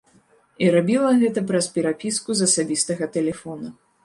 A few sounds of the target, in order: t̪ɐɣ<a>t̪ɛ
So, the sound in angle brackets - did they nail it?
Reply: no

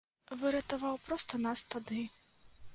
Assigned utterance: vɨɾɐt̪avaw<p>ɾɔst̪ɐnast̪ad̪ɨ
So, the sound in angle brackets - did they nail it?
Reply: yes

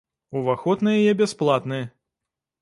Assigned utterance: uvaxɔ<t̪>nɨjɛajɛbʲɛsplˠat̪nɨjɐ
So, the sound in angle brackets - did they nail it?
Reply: yes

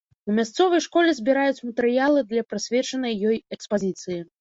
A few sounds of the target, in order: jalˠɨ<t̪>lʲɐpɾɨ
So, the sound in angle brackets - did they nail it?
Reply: no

